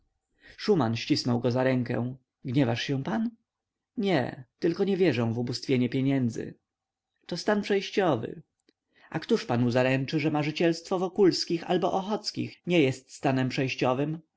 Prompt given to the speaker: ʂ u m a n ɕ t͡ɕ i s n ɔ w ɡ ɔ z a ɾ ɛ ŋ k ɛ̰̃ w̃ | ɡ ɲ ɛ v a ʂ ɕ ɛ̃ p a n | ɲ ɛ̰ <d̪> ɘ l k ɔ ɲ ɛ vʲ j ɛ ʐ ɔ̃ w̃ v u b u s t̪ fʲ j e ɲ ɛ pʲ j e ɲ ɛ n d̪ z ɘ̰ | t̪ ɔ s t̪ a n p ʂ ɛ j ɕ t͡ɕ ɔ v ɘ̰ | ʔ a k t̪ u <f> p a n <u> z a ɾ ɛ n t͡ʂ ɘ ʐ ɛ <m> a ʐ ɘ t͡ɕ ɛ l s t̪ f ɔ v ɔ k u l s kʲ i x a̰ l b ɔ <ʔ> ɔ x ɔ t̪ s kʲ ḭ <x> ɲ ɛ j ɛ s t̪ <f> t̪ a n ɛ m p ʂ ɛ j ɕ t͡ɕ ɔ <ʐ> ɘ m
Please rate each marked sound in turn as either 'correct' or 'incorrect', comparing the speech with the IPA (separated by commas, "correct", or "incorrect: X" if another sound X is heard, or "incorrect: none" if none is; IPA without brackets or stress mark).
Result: incorrect: t̪, incorrect: ʂ, correct, correct, correct, correct, incorrect: s, incorrect: v